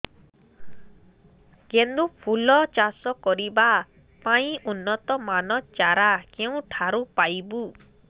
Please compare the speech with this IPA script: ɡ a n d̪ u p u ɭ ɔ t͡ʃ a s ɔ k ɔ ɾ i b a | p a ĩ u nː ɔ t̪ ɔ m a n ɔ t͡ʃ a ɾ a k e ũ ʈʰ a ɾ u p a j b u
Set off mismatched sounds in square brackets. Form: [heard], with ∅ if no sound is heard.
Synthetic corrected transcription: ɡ [e] n d̪ u [pʰ] u [l] ɔ t͡ʃ a s ɔ k ɔ ɾ i b a | p a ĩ u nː ɔ t̪ ɔ m a n ɔ t͡ʃ a ɾ a k e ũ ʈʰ a ɾ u p a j b u